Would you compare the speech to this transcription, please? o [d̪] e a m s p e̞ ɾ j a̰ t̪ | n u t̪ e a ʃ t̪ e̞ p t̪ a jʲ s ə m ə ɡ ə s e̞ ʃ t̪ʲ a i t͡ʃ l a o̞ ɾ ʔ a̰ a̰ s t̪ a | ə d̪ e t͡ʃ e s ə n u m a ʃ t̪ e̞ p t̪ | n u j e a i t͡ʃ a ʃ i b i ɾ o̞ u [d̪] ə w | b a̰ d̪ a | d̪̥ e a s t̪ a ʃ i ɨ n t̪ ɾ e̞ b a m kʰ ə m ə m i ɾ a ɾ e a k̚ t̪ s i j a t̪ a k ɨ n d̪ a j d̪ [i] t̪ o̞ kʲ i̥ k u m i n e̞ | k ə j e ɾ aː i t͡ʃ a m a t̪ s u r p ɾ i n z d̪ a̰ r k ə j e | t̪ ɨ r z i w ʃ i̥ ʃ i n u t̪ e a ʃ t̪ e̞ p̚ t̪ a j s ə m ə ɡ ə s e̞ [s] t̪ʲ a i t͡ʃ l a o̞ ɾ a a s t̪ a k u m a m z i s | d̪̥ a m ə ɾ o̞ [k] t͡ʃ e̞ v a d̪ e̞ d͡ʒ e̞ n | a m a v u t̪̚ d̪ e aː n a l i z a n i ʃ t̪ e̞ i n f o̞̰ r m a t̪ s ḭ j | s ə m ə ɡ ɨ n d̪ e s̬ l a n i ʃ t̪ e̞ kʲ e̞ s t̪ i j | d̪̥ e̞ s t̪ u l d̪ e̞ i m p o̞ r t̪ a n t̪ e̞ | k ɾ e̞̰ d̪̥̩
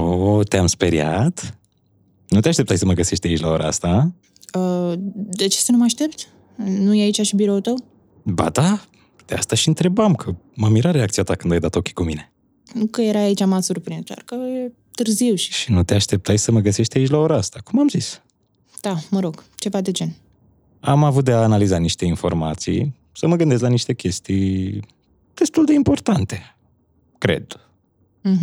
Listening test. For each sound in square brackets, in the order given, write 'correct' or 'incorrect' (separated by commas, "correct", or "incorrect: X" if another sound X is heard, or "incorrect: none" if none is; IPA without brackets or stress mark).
incorrect: t̪, incorrect: t̪, incorrect: a, incorrect: ʃ, incorrect: ɡ